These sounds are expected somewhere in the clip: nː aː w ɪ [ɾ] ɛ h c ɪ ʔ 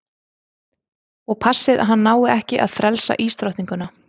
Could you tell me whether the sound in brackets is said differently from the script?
yes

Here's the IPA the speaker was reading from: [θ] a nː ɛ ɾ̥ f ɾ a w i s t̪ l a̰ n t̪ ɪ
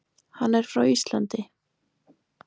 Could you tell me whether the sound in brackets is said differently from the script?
yes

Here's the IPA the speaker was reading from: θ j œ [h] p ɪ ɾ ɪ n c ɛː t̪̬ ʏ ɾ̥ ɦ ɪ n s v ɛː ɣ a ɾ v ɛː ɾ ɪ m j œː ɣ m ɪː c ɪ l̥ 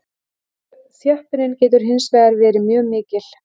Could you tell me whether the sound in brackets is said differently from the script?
no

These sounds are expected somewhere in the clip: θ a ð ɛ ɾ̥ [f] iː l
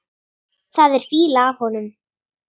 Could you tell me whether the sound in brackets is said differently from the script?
no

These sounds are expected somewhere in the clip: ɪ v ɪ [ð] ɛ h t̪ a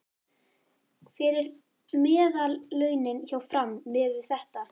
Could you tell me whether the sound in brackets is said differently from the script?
yes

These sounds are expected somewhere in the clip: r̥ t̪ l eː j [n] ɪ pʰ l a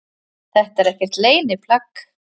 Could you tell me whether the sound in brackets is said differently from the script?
no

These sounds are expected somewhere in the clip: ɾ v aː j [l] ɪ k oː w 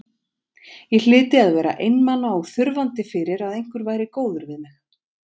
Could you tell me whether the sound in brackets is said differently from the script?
yes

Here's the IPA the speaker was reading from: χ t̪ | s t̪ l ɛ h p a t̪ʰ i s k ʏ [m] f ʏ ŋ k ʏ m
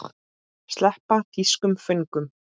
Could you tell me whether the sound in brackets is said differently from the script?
no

